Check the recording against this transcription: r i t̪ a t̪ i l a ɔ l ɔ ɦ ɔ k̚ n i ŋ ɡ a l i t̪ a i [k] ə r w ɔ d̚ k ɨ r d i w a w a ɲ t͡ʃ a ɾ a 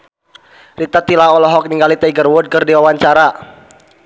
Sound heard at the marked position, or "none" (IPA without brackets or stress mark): ɡ